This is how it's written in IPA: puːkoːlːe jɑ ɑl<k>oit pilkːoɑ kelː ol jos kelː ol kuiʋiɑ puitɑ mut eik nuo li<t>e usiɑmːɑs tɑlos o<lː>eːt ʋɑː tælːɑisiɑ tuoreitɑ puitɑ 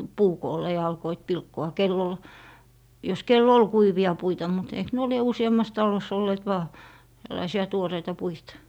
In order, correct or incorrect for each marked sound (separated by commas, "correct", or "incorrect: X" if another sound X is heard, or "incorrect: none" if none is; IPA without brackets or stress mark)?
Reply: correct, incorrect: none, correct